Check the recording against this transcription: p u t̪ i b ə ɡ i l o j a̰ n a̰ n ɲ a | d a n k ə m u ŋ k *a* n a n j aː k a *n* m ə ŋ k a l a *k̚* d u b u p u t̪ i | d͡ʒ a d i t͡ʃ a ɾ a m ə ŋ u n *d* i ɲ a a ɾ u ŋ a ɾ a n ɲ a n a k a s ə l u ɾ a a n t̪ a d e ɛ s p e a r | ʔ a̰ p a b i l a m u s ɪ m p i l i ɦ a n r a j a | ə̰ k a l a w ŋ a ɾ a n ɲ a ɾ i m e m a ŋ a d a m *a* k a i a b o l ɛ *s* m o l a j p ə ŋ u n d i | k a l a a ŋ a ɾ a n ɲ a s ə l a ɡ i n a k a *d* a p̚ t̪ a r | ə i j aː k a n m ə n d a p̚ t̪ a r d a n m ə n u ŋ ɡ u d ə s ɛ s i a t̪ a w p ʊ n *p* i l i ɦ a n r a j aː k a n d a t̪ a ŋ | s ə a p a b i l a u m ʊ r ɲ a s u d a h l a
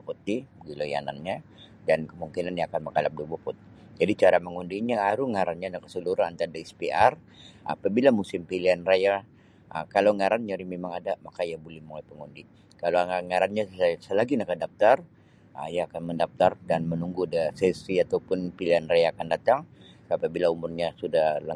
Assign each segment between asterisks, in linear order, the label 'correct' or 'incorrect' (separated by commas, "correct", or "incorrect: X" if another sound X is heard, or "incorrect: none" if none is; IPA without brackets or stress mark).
incorrect: i, correct, incorrect: p̚, correct, correct, incorrect: h, correct, correct